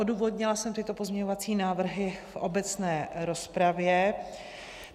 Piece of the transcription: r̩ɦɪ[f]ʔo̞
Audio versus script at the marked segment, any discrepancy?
no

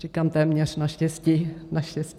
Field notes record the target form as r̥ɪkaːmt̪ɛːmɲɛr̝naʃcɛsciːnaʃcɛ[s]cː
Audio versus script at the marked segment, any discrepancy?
no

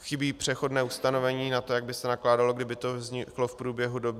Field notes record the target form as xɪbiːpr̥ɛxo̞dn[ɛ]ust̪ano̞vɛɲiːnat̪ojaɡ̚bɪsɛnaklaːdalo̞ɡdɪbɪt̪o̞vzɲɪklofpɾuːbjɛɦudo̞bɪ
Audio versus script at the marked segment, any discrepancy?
yes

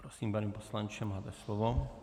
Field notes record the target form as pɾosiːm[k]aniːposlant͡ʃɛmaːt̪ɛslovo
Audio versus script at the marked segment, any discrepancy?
yes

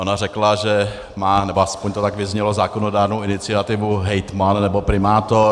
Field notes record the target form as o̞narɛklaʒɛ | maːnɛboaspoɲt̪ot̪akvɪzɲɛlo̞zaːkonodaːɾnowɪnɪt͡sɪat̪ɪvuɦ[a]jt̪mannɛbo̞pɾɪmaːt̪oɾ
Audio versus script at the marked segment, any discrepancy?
yes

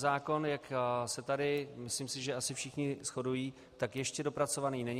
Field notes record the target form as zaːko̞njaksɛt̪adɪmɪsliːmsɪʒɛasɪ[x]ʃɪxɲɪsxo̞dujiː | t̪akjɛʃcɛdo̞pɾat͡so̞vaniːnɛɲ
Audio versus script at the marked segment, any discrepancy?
yes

